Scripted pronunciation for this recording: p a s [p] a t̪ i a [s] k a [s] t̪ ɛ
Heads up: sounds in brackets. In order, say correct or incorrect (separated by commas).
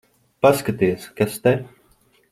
incorrect, correct, correct